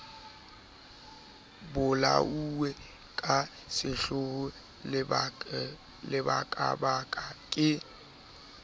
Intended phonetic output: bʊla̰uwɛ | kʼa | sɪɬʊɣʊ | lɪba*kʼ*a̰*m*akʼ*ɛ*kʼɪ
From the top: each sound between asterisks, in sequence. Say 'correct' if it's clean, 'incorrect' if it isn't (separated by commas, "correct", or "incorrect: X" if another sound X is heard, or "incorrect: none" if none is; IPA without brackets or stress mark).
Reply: correct, incorrect: b, incorrect: a